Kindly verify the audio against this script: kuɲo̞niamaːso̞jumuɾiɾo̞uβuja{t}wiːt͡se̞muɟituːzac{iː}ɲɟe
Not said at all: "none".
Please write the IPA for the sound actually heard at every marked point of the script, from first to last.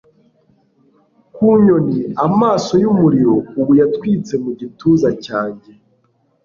t, aː

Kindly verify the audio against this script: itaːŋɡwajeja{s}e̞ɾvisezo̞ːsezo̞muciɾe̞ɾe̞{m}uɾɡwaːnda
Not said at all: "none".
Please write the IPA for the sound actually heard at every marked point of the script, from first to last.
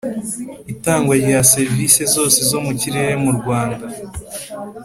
s, m

